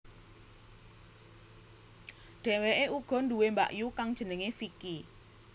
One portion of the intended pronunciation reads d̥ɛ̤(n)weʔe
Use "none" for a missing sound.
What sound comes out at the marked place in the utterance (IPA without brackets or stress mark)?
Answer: none